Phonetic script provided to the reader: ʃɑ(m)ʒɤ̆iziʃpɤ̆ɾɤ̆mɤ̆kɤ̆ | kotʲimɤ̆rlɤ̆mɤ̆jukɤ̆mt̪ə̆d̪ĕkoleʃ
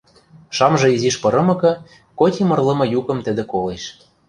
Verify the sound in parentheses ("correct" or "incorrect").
correct